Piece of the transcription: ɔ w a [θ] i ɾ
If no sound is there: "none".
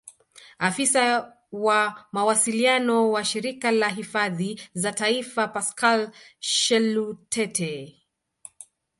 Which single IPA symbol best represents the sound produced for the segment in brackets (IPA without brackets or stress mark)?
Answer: ʃ